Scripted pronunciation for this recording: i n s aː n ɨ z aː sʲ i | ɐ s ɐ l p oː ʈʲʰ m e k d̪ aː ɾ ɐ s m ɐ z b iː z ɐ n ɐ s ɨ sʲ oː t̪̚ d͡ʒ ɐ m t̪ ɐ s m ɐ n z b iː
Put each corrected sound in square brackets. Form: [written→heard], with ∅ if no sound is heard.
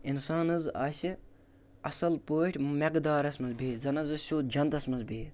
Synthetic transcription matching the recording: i n s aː n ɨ z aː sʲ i | ɐ s ɐ l p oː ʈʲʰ m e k d̪ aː ɾ ɐ s m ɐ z b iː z ɐ n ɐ [s→z] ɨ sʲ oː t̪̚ d͡ʒ ɐ [m→n] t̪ ɐ s m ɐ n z b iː